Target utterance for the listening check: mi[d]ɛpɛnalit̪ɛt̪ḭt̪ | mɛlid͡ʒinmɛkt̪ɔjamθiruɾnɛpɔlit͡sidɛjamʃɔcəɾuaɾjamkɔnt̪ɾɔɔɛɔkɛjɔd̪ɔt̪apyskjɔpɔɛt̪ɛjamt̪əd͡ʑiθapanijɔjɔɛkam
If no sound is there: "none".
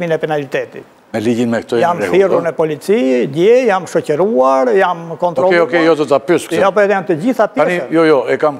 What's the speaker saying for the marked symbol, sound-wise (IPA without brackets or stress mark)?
n